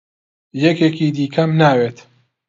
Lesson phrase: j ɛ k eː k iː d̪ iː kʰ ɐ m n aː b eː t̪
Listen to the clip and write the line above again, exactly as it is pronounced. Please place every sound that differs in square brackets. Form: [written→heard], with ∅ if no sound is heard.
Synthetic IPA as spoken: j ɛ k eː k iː d̪ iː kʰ ɐ m n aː [b→w] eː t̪